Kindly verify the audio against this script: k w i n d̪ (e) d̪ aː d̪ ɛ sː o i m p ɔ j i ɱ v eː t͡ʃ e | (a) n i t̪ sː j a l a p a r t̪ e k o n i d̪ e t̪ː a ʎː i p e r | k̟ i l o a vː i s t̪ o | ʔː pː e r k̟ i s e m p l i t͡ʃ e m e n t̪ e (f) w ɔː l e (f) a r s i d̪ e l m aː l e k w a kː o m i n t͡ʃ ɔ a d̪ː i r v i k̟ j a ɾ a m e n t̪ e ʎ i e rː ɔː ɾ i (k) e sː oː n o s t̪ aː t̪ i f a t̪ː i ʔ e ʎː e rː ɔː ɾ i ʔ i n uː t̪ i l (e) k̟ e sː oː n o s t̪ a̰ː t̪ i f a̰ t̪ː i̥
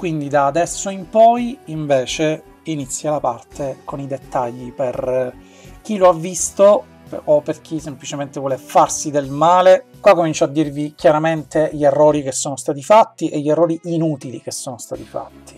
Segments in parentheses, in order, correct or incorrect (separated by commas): incorrect, incorrect, incorrect, correct, correct, incorrect